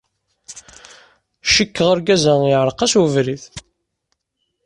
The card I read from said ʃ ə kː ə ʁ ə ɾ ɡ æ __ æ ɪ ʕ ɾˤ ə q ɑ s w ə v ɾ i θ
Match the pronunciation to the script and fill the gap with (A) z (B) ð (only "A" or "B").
A